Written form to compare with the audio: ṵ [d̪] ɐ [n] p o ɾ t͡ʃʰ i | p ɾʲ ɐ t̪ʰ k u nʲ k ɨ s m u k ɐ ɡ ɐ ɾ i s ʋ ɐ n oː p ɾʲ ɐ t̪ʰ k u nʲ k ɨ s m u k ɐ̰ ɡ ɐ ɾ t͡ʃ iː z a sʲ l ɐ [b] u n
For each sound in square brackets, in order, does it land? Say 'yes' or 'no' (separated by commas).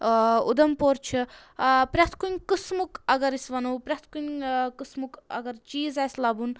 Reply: yes, no, yes